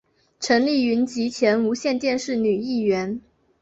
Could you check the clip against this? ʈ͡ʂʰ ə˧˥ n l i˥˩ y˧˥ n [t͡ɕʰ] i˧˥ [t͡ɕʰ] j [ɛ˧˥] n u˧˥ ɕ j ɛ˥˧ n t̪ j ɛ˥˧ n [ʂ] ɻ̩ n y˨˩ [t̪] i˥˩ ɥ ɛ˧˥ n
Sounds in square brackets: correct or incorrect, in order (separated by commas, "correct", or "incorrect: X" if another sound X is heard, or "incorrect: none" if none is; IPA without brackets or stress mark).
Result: incorrect: t͡ɕ, correct, correct, correct, incorrect: none